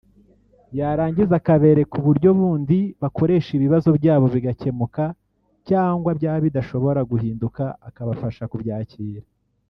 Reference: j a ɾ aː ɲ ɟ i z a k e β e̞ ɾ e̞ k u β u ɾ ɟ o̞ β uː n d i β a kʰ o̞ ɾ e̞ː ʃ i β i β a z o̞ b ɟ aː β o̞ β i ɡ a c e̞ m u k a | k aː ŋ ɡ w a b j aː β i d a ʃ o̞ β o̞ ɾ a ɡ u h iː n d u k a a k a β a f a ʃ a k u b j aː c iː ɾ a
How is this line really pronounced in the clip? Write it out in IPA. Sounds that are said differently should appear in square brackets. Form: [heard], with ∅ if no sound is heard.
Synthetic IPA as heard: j a ɾ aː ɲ ɟ i z a k [a] β e̞ ɾ e̞ k u β u ɾ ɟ o̞ β uː n d i β a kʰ o̞ ɾ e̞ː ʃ i β i β a z o̞ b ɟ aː β o̞ β i ɡ a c e̞ m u k a | [c] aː ŋ ɡ w a b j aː β i d a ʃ o̞ β o̞ ɾ a ɡ u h iː n d u k a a k a β a f a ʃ a k u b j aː c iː ɾ a